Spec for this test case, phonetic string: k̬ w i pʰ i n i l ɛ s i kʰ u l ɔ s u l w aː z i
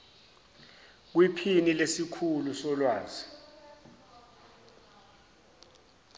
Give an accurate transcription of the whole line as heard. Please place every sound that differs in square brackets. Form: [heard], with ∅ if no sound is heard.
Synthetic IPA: k̬ w i pʰ i n i l [e] s i kʰ u l [u] s [ɔ] l w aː z i